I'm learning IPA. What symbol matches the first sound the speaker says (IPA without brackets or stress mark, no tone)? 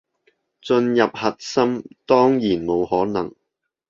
t͡s